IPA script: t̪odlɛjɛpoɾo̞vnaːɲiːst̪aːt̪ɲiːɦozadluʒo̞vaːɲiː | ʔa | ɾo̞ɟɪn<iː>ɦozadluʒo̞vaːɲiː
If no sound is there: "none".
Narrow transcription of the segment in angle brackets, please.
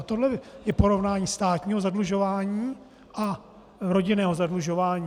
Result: ɛː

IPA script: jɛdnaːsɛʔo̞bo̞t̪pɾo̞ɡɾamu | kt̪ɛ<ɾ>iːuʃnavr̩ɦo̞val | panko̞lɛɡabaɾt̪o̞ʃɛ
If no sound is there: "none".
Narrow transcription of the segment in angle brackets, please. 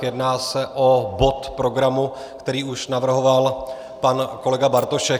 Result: ɾ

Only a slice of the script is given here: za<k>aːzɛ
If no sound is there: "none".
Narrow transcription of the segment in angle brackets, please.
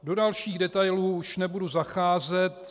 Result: x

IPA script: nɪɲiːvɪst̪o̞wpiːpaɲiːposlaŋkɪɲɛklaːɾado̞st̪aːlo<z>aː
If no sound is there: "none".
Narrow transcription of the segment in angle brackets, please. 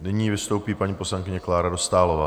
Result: v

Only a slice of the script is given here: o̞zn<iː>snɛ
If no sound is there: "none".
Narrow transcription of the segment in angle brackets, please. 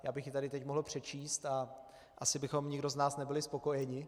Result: aː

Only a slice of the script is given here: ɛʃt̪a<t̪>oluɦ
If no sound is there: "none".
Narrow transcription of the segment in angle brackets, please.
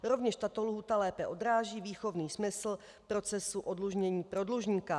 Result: t̪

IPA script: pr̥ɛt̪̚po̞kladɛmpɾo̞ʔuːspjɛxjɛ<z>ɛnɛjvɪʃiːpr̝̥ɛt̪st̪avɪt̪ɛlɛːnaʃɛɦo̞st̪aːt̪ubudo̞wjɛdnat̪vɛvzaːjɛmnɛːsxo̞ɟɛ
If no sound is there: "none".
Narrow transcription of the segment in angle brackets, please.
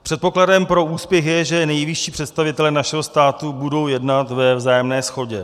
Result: ʒ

